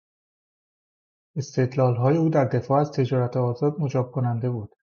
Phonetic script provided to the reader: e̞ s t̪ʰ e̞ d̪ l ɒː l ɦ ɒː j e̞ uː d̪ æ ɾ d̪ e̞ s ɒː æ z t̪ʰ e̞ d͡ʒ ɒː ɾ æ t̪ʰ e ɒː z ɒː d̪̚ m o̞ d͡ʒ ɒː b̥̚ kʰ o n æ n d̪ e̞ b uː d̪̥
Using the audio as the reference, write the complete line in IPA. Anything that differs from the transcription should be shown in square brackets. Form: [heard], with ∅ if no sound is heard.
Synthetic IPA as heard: e̞ s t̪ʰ e̞ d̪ l ɒː l ɦ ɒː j e̞ uː d̪ æ ɾ d̪ e̞ [f] ɒː æ z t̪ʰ e̞ d͡ʒ ɒː ɾ æ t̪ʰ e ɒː z ɒː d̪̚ m o̞ d͡ʒ ɒː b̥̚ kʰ o n æ n d̪ e̞ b uː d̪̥